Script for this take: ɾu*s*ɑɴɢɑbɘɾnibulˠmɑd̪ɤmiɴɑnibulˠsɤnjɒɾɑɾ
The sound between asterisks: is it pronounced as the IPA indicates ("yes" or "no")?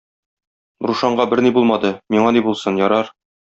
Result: no